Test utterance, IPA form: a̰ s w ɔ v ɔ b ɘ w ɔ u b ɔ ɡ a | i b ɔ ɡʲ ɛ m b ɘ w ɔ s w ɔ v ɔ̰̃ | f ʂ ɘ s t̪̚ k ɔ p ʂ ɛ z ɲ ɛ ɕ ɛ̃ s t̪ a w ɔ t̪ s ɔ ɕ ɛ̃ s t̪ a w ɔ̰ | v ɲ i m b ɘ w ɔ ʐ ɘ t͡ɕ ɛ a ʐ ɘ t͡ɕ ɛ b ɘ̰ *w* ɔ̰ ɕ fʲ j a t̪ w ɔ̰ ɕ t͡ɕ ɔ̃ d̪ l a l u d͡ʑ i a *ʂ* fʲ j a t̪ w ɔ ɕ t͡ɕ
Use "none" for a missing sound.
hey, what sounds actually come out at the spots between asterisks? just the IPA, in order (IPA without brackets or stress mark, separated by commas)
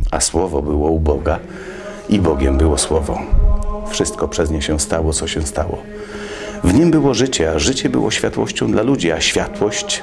w, ɕ